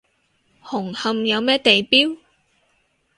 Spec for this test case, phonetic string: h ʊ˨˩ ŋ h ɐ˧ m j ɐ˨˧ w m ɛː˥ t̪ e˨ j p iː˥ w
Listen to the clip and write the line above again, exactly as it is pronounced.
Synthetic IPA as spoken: h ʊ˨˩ ŋ h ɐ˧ m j ɐ˨˧ w m ɛː˥ t̪ e˨ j p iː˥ w